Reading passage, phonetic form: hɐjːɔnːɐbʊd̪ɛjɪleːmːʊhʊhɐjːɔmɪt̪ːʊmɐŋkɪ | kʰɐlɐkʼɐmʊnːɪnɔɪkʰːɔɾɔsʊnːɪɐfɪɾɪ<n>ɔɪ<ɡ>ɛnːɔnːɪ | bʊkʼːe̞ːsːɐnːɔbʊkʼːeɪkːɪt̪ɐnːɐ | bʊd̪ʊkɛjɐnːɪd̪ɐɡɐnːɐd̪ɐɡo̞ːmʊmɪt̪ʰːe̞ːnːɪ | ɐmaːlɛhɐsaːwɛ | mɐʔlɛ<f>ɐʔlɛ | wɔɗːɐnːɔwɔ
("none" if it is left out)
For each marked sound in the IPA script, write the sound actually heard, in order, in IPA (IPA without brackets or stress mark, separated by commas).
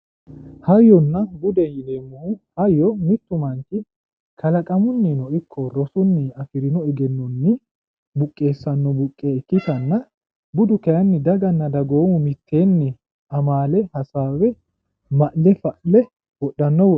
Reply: n, ɡ, f